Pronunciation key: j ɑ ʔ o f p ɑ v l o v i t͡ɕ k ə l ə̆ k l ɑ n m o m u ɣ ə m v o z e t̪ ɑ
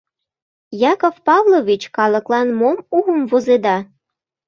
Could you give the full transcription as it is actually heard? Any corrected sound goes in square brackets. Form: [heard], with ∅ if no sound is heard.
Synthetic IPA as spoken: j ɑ [k] o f p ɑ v l o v i t͡ɕ k [ɑ] l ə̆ k l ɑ n m o m u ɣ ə m v o z e [d̪] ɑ